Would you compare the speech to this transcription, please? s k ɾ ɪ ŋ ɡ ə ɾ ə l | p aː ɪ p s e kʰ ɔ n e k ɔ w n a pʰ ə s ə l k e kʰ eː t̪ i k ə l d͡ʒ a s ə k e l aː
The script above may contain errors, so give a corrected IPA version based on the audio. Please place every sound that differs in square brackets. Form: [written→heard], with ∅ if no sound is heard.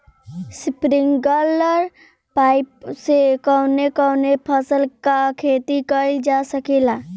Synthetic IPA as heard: s [k→p] ɾ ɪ ŋ ɡ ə [ɾ→l] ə [l→ɾ] | p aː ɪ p s e [kʰ→k] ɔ n e k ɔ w n [a→e] pʰ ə s ə l k [e→a] kʰ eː t̪ i k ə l d͡ʒ a s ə k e l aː